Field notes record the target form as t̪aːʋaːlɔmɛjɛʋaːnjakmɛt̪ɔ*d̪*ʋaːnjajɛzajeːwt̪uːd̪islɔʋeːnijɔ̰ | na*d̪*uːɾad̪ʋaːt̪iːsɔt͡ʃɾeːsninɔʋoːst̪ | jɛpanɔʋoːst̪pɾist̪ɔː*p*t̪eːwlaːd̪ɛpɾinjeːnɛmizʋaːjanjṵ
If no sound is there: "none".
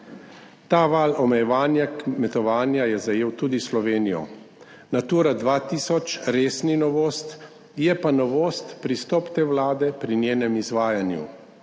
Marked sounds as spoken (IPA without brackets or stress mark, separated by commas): none, t̪, p